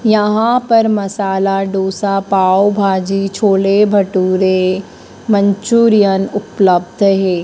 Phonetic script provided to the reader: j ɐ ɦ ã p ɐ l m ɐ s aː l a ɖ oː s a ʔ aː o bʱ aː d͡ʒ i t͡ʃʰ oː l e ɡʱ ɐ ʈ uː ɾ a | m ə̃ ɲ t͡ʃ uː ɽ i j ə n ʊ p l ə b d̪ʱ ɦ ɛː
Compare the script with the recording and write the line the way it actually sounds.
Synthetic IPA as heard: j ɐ ɦ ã p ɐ ɾ m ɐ s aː l a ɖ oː s a p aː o bʱ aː d͡ʒ i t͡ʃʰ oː l e bʱ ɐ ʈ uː ɾ e | m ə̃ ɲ t͡ʃ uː ɾ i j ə n ʊ p l ə b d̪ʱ ɦ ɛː